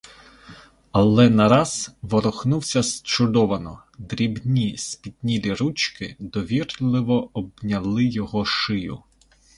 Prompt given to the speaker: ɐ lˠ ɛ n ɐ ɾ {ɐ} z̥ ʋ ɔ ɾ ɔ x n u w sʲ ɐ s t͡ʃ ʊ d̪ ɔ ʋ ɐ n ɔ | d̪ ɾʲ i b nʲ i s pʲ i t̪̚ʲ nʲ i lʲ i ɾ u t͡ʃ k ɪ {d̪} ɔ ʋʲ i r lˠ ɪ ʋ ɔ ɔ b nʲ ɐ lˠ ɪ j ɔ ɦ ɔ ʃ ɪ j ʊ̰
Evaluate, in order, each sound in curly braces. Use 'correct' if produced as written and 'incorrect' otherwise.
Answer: incorrect: ɑ, correct

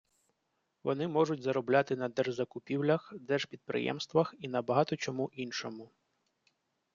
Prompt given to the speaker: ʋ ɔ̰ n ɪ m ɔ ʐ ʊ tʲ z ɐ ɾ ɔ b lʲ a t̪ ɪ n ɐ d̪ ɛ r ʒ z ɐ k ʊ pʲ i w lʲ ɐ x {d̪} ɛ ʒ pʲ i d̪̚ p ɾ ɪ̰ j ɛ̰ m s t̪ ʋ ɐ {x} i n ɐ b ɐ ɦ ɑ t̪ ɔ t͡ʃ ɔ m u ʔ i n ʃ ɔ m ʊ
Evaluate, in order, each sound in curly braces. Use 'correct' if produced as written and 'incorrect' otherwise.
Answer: correct, correct

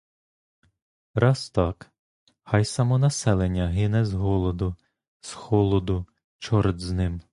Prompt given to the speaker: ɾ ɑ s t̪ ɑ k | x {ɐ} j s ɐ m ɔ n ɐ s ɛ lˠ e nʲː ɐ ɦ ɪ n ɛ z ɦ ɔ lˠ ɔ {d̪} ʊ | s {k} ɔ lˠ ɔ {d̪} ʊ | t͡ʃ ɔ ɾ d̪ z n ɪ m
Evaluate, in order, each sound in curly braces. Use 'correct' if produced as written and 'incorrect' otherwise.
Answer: incorrect: ɑ, correct, incorrect: x, correct

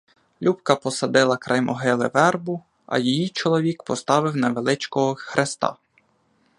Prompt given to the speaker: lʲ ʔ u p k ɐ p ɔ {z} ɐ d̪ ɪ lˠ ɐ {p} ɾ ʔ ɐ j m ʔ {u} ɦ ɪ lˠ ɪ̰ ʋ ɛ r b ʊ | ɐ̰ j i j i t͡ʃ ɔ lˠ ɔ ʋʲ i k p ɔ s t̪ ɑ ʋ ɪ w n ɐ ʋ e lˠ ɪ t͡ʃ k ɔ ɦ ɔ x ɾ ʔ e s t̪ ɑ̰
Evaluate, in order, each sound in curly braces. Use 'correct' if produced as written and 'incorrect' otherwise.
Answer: incorrect: s, incorrect: k, incorrect: ɔ

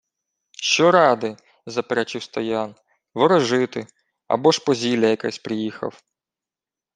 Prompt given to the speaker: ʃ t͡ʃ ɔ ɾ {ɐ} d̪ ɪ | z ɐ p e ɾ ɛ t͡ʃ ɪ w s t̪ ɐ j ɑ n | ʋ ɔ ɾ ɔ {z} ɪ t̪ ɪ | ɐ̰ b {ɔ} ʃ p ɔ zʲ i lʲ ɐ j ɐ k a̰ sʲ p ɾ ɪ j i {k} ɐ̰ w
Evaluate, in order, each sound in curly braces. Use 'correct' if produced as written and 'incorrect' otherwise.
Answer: incorrect: ɑ, incorrect: ʒ, correct, incorrect: x

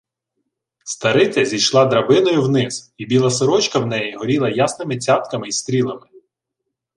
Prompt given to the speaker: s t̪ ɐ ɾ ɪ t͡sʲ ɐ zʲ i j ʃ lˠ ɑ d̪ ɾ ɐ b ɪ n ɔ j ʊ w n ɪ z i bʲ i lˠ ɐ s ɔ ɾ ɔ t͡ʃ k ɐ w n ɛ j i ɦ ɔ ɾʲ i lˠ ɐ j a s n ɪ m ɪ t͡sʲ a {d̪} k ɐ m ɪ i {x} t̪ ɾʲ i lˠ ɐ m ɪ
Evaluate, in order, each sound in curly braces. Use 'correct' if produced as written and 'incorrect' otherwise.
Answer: incorrect: t̪, incorrect: s

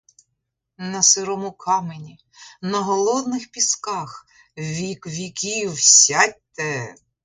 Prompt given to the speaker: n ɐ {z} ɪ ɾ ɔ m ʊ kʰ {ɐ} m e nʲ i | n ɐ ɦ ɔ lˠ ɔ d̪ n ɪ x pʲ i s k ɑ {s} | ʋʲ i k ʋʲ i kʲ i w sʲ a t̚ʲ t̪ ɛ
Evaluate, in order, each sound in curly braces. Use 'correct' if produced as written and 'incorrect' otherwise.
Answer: incorrect: s, incorrect: ɑ, incorrect: x

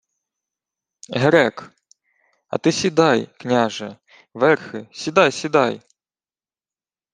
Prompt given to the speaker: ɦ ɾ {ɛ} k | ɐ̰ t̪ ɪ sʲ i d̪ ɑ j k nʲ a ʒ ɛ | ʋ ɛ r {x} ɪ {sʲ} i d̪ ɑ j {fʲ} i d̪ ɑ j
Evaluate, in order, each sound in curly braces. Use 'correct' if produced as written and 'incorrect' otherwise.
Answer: correct, correct, correct, incorrect: sʲ

